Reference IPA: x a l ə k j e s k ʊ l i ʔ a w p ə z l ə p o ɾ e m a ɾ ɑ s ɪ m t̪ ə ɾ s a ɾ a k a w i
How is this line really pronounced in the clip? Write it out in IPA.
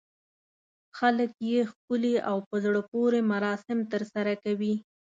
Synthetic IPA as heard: x a l ə k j e x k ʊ l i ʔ a w p ə z ɽ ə p o ɾ e m a ɾ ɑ s ɪ m t̪ ə ɾ s a ɾ a k a w i